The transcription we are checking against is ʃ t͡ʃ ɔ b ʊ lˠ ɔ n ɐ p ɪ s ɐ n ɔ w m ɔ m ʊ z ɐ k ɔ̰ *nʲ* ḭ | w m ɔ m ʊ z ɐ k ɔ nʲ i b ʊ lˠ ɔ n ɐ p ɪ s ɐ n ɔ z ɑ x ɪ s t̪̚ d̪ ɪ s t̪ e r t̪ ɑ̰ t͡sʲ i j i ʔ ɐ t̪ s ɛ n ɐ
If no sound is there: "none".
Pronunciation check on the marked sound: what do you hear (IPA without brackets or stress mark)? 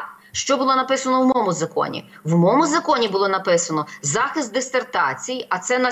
nʲ